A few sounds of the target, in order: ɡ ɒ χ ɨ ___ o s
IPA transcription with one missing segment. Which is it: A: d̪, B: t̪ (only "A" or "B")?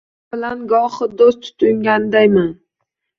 A